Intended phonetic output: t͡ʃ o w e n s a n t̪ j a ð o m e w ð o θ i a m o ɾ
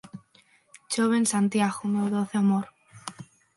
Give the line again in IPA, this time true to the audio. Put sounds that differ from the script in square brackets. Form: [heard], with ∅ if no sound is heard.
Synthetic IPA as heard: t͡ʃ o [β] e n s a n t̪ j a [ɣ] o m e w ð o θ [e] a m o ɾ